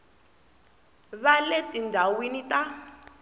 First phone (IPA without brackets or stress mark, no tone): β